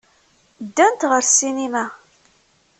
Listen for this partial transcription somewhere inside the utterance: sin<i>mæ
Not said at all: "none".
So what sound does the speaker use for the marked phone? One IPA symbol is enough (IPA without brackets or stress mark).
i